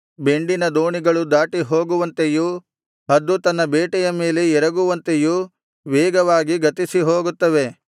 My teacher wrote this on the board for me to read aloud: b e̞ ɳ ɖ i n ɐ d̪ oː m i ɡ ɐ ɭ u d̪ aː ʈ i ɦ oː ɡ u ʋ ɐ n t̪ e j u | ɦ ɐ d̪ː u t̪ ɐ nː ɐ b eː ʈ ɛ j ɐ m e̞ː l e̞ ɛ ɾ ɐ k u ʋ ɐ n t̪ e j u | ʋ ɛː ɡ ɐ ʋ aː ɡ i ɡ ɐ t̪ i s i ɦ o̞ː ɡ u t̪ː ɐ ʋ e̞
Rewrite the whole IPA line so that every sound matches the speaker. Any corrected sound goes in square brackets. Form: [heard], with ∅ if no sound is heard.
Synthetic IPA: b e̞ ɳ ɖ i n ɐ d̪ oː [ɳ] i ɡ ɐ ɭ u d̪ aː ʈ i ɦ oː ɡ u ʋ ɐ n t̪ e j u | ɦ ɐ d̪ː u t̪ ɐ nː ɐ b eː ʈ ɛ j ɐ m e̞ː l e̞ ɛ ɾ ɐ [ɡ] u ʋ ɐ n t̪ e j u | ʋ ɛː ɡ ɐ ʋ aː ɡ i ɡ ɐ t̪ i s i ɦ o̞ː ɡ u t̪ː ɐ ʋ e̞